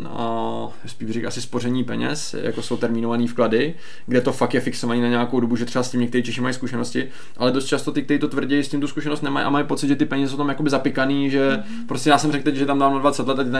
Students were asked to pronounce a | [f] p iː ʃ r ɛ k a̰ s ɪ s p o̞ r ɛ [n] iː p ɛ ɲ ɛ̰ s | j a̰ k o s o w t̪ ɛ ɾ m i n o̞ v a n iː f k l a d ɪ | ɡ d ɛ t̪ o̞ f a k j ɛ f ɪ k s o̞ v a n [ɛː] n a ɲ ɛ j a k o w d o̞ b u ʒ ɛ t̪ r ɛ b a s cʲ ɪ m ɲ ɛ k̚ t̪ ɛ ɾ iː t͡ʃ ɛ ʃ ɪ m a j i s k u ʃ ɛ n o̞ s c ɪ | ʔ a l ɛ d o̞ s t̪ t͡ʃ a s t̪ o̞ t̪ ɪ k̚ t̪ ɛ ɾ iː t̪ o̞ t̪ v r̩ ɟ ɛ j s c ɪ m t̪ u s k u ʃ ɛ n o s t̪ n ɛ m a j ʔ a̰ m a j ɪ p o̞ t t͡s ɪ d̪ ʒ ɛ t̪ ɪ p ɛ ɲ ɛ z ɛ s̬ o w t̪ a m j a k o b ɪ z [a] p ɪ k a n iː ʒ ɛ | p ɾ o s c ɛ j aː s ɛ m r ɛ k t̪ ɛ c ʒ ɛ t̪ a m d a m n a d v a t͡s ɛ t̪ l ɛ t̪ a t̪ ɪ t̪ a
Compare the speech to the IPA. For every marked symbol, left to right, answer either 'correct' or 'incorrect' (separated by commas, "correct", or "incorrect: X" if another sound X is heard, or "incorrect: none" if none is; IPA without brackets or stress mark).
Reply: incorrect: s, incorrect: ɲ, incorrect: iː, correct